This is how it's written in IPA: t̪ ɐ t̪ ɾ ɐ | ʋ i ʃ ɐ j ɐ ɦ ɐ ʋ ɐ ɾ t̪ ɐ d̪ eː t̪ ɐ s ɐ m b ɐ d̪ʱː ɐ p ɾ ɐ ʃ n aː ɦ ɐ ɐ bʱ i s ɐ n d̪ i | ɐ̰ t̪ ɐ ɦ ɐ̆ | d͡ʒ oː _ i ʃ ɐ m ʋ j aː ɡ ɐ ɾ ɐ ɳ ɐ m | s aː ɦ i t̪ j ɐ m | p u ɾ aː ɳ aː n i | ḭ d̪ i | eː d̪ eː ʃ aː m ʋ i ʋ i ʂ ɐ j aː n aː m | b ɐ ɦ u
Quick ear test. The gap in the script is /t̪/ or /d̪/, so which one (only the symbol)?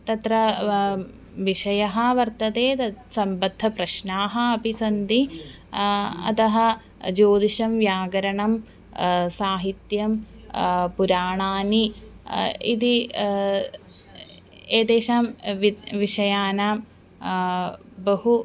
d̪